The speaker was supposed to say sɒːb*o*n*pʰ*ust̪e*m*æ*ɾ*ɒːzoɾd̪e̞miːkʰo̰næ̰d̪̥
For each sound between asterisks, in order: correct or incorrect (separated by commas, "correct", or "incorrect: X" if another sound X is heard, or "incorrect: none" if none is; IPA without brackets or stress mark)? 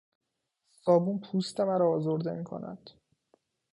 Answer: incorrect: u, correct, correct, correct